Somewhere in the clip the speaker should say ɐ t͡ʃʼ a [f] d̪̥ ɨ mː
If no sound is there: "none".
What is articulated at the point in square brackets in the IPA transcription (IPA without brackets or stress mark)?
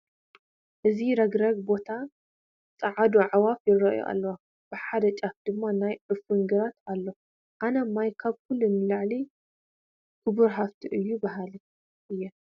f